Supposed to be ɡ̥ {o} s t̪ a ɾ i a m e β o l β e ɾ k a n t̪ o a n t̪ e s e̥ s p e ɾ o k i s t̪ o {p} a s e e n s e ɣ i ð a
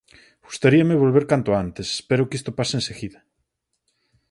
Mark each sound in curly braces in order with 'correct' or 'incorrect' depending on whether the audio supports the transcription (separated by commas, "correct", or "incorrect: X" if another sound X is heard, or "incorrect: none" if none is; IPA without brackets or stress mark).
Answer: incorrect: u, correct